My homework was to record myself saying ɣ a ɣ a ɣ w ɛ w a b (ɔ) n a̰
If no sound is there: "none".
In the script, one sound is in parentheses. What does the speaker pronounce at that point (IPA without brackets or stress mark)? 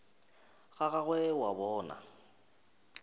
ɔː